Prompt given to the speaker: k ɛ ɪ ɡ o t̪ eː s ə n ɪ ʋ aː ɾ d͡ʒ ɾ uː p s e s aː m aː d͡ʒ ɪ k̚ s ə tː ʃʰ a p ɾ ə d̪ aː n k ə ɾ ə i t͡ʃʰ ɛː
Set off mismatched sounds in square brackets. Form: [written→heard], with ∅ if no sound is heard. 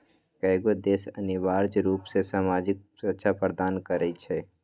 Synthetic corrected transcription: k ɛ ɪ ɡ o [t̪→d̪] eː s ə n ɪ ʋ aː ɾ d͡ʒ ɾ uː p s e s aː m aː d͡ʒ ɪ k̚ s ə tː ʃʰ a p ɾ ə d̪ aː n k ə ɾ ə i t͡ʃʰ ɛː